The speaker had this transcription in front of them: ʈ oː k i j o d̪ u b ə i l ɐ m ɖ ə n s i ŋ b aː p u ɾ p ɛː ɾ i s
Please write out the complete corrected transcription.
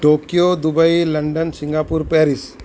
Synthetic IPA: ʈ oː k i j o d̪ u b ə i l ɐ ɳ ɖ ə n s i ŋ ɡ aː p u ɾ p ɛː ɾ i s